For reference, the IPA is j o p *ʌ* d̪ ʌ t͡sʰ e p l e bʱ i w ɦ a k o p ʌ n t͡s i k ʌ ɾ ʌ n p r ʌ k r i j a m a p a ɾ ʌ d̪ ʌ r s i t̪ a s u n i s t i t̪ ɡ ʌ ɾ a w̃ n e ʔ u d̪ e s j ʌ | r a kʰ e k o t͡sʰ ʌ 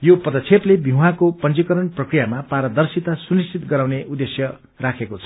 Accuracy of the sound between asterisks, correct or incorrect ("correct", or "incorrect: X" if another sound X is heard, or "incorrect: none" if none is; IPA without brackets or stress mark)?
correct